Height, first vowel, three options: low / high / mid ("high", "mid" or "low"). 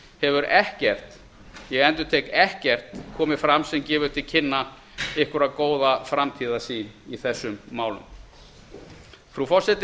mid